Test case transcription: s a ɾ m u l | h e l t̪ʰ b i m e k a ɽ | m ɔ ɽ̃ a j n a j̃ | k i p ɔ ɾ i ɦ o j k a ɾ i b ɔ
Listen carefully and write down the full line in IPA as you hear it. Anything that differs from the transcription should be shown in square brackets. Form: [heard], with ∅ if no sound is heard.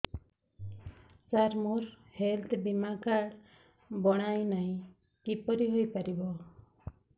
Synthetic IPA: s a ɾ m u [ɾ] | h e l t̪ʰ b i m [a] k a ɽ | [b] ɔ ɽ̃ a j n a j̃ | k i p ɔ ɾ i ɦ o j [p] a ɾ i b ɔ